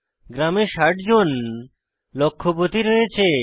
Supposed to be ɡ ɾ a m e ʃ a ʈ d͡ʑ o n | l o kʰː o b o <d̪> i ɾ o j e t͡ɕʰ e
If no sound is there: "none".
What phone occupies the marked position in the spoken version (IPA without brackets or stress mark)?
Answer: t̪